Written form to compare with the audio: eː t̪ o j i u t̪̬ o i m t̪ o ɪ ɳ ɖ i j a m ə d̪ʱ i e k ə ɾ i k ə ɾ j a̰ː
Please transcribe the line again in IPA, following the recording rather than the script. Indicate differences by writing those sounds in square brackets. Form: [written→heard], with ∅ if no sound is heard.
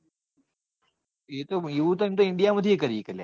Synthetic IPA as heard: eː t̪ o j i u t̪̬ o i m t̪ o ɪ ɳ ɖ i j a m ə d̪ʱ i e k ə ɾ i k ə [ɾ→l] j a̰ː